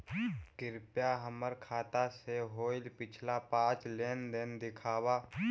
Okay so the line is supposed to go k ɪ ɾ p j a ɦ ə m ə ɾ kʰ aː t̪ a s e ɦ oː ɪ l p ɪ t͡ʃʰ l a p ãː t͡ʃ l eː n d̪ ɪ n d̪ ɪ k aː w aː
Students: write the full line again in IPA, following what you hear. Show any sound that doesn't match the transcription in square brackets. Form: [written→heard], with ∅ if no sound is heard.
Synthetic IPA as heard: k ɪ ɾ p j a ɦ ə m ə ɾ kʰ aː t̪ a s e ɦ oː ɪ l p ɪ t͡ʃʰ l a p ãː t͡ʃ l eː n d̪ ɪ n d̪ ɪ [k→kʰ] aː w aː

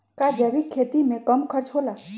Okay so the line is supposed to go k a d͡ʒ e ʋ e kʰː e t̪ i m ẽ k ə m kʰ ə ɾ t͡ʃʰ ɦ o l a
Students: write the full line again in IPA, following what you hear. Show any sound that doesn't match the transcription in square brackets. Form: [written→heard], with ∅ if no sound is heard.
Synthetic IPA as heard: k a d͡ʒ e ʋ [e→i] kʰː e t̪ i m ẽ k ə m kʰ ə ɾ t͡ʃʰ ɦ o l a

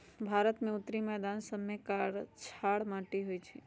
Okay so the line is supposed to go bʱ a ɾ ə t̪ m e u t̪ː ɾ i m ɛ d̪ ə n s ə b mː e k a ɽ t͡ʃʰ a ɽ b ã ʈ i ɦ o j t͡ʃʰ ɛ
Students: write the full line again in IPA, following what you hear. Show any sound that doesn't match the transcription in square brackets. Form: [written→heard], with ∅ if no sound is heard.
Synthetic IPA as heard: bʱ a ɾ ə t̪ m e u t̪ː ɾ i m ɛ d̪ [ə→a] n s ə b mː e k a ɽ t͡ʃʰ a ɽ [b→m] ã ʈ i ɦ o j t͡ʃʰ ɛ

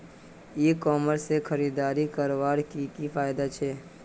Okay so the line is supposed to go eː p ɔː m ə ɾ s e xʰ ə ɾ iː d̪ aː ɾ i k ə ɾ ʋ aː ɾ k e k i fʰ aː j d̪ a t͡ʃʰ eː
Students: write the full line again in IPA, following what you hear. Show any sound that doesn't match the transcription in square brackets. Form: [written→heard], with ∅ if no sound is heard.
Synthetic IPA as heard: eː [p→k] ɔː m ə ɾ s e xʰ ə ɾ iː d̪ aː ɾ i k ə ɾ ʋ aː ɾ k [e→i] k i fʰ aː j d̪ a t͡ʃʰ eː

